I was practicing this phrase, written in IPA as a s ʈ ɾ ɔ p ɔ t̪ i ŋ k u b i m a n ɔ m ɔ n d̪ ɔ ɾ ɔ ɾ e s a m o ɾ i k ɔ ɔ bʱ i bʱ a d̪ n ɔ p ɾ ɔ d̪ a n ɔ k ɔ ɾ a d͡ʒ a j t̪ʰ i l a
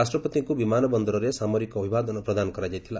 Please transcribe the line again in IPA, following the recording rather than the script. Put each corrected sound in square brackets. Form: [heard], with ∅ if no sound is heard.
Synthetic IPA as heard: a s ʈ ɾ ɔ p ɔ t̪ i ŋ k u b i m a n ɔ [b] ɔ n d̪ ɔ ɾ ɔ ɾ e s a m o ɾ i k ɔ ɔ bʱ i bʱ a d̪ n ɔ p ɾ ɔ d̪ a n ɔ k ɔ ɾ a d͡ʒ a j t̪ʰ i l a